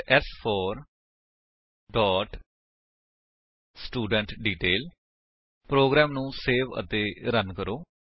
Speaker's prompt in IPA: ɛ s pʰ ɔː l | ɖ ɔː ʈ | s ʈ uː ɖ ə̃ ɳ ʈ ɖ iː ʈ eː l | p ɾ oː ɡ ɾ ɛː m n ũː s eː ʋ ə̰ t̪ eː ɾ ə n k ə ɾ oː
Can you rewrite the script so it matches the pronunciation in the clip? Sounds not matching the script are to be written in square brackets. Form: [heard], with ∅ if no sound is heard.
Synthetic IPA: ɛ s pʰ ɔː [ɾ] | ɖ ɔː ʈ | s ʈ uː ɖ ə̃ ɳ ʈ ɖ iː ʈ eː l | p ɾ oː ɡ ɾ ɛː m n ũː s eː ʋ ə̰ t̪ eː ɾ ə n k ə ɾ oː